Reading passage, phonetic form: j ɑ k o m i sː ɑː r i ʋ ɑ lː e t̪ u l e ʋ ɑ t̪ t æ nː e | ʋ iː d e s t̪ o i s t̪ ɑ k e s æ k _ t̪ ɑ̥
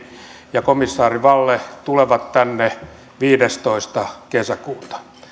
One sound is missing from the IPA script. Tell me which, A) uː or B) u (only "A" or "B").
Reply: A